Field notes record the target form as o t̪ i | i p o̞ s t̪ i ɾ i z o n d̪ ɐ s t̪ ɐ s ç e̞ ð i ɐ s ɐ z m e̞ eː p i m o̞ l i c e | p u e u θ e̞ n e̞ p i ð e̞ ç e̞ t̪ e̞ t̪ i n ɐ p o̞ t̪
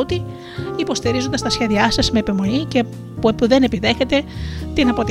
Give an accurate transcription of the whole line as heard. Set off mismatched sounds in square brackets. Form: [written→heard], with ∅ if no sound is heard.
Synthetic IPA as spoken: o t̪ i | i p o̞ s t̪ i ɾ i z o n d̪ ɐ s t̪ ɐ s ç e̞ ð i ɐ s ɐ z m e̞ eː p i m o̞ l i c e | p u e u [θ→ð] e̞ n e̞ p i ð e̞ ç e̞ t̪ e̞ t̪ i n ɐ p o̞ t̪